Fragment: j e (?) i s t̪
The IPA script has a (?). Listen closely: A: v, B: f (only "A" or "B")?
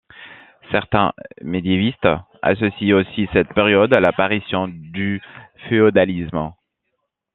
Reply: A